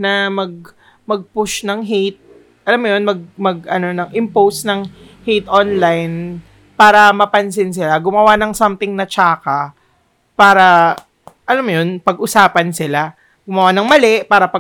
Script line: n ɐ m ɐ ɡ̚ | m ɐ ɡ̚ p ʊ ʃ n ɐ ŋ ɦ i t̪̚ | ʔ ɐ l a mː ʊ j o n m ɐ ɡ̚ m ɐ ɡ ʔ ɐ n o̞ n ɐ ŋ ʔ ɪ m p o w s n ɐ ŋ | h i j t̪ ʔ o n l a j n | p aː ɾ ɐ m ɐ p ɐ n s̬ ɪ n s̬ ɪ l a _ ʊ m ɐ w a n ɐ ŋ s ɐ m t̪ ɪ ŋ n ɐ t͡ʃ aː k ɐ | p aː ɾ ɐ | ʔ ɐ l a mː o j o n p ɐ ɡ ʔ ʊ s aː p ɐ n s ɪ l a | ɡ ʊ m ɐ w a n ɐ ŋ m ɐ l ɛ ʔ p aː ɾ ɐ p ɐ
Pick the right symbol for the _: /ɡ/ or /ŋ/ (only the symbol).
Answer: ɡ